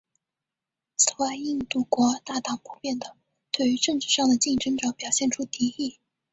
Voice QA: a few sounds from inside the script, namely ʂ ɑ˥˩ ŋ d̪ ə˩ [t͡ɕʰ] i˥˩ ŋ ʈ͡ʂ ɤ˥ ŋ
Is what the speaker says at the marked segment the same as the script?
no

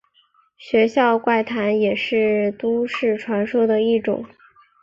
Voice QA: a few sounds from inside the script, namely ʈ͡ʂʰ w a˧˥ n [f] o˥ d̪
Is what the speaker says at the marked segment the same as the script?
no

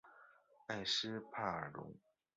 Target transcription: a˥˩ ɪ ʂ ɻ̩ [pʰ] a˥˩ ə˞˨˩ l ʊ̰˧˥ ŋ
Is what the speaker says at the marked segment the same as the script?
yes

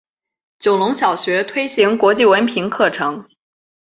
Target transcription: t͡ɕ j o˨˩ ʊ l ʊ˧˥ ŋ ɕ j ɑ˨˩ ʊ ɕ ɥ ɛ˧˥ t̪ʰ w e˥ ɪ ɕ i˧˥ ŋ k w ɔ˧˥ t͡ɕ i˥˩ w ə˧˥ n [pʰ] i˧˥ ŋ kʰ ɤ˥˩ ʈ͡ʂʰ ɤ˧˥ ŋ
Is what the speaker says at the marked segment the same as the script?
yes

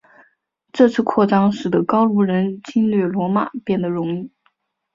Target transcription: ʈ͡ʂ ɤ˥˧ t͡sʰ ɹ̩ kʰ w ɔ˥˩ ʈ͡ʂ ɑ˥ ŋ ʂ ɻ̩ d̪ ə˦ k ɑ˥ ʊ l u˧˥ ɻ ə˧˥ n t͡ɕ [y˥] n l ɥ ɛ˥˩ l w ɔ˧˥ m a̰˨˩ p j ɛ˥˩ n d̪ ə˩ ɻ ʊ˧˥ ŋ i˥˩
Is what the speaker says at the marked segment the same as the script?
no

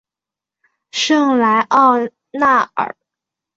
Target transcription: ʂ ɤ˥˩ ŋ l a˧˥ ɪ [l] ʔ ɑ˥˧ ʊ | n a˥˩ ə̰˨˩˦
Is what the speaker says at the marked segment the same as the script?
no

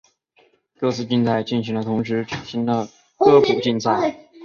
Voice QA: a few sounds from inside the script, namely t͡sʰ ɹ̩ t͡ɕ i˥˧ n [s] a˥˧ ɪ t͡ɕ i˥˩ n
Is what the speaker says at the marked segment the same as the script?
no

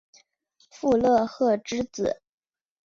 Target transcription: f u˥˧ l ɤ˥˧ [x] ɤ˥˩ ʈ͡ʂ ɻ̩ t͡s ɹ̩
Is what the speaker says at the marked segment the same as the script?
yes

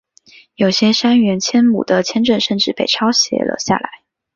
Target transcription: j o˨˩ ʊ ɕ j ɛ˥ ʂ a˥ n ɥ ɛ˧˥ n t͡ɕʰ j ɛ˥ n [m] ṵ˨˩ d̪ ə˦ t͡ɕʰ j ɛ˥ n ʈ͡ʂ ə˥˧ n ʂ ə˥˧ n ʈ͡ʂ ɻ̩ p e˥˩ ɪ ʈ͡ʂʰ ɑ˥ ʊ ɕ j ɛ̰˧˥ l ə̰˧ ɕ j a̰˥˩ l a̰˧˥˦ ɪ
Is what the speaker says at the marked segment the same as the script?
yes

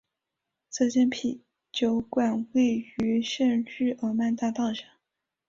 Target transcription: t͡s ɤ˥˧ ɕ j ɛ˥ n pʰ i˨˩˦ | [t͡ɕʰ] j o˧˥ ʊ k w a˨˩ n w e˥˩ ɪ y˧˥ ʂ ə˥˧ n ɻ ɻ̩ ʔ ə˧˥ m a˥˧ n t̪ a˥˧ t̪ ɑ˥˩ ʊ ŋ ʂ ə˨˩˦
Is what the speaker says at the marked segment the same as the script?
no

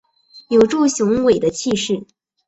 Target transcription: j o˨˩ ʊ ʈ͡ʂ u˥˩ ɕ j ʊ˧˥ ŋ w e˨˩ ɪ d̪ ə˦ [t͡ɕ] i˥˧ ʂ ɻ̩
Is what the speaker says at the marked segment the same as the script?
no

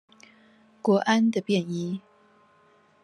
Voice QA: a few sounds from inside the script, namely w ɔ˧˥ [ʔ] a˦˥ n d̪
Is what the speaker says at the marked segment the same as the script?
yes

